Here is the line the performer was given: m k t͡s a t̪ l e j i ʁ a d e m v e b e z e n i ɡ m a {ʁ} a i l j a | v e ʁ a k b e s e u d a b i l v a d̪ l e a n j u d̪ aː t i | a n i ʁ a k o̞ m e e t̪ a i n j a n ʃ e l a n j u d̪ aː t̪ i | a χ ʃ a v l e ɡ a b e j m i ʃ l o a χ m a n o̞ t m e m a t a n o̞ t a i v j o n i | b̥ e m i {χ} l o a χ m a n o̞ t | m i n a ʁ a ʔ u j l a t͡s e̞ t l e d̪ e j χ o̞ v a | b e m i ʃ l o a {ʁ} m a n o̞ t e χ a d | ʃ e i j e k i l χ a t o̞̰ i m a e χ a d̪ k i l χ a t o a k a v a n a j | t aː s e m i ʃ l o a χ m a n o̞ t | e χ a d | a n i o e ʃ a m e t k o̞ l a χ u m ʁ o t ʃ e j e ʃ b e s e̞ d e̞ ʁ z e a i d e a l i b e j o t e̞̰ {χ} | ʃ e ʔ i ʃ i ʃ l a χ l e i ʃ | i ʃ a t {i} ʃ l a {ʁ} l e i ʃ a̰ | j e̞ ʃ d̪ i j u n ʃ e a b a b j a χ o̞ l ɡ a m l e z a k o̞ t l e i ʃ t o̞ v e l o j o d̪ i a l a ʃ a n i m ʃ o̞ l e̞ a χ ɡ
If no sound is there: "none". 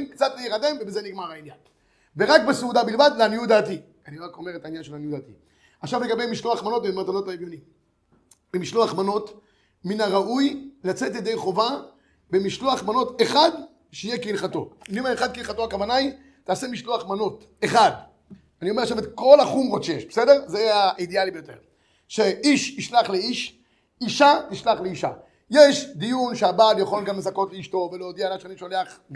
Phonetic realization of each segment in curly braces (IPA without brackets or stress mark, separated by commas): ʁ, ʃ, χ, ʁ, i, χ